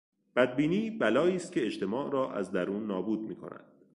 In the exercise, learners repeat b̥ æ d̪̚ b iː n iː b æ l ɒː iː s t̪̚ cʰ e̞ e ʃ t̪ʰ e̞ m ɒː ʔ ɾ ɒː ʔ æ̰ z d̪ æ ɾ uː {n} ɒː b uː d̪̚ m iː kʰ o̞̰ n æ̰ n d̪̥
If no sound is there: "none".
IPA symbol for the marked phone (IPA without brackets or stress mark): nː